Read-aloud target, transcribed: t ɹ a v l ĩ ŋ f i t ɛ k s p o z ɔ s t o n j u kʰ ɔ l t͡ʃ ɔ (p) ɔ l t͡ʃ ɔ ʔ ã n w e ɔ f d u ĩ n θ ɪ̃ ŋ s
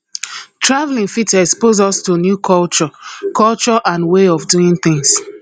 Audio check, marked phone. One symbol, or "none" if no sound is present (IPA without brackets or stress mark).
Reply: k